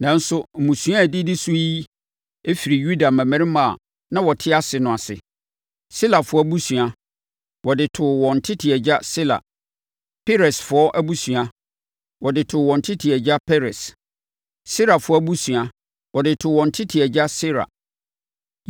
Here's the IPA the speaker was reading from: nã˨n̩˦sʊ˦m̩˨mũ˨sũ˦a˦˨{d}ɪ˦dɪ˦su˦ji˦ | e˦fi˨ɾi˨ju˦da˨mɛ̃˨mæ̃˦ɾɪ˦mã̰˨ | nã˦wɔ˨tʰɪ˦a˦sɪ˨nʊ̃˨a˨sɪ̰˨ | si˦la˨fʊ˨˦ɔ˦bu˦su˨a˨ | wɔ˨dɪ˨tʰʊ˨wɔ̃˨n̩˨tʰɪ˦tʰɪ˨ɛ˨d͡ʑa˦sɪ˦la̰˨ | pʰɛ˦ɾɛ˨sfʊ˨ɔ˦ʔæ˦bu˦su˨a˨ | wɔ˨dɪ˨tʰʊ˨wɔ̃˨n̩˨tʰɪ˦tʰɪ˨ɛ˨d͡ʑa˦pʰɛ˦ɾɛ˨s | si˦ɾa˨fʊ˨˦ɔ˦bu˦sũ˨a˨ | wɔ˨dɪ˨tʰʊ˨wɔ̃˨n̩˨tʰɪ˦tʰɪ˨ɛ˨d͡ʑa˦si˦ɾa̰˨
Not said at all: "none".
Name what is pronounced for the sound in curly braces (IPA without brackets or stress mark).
d